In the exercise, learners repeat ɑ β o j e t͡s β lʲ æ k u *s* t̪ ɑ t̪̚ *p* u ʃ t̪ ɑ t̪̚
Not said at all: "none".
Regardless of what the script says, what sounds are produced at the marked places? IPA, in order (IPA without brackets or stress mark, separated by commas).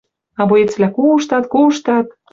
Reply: ʃ, k